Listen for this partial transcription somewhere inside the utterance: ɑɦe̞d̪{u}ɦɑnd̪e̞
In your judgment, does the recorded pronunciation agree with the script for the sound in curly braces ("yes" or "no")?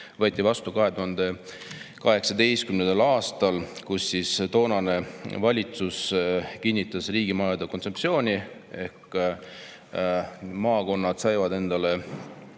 yes